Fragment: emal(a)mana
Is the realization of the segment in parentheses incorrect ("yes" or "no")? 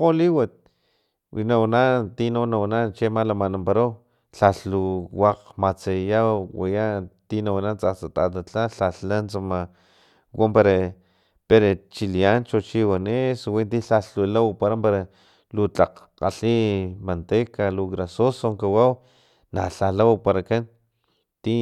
no